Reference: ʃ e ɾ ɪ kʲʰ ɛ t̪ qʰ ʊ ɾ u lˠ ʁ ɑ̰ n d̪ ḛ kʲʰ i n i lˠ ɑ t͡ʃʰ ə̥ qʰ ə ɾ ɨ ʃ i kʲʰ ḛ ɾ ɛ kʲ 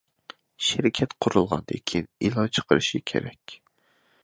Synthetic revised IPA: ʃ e ɾ ɪ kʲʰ ɛ t̪ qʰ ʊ ɾ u lˠ ʁ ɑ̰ n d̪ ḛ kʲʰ i n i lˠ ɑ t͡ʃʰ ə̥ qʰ ə ɾ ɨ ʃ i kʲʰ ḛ ɾ ɛ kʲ